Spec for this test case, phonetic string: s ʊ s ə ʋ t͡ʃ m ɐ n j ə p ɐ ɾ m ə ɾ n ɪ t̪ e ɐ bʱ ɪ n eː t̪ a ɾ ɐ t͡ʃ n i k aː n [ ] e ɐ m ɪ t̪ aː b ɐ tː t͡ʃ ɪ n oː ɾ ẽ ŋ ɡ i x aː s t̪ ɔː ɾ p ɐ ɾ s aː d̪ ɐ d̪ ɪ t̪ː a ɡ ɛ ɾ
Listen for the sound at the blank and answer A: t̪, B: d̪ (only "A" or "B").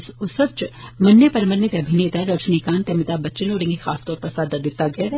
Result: A